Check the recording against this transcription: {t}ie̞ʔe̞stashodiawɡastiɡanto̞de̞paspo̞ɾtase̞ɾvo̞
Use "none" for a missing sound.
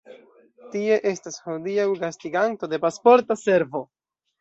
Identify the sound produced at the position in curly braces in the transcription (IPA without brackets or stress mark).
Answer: t